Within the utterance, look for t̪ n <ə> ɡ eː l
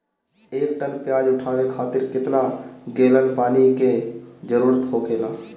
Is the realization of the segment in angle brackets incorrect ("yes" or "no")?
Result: yes